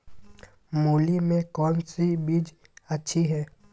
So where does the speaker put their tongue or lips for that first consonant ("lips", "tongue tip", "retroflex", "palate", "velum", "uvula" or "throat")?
lips